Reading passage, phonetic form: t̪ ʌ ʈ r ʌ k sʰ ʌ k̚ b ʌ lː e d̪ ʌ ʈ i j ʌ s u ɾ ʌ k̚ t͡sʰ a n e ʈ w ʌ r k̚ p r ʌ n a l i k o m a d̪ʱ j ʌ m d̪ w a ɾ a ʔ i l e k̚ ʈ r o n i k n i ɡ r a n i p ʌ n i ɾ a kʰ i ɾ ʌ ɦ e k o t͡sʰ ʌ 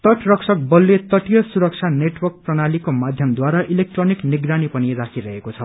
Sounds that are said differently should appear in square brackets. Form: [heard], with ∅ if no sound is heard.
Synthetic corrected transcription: t̪ ʌ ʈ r ʌ k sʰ ʌ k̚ b ʌ lː e [t̪] ʌ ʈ i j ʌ s u ɾ ʌ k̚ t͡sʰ a n e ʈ w ʌ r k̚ p r ʌ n a l i k o m a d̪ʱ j ʌ m d̪ w a ɾ a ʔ i l e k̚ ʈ r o n i k n i ɡ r a n i p ʌ n i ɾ a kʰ i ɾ ʌ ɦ e k o t͡sʰ ʌ